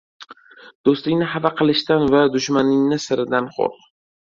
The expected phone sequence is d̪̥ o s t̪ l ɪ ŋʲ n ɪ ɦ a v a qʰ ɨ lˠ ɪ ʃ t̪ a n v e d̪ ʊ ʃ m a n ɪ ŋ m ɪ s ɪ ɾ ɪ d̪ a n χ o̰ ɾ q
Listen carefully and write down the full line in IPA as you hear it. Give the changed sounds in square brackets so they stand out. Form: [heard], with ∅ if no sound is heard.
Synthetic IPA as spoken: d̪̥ o s t̪ l ɪ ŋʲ n ɪ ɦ a v a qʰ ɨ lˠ ɪ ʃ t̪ a n v [a] d̪ ʊ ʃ m a n ɪ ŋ [n] ɪ s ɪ ɾ ɪ d̪ a n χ o̰ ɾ q